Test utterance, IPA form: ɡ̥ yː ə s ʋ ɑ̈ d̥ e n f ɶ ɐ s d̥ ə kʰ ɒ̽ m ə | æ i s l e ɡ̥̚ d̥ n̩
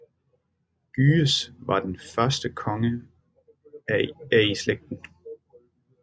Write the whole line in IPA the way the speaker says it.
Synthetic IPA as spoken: ɡ̥ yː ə s ʋ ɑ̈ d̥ e n f ɶ ɐ s d̥ ə kʰ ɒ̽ ŋ ə | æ i s l e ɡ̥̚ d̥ n̩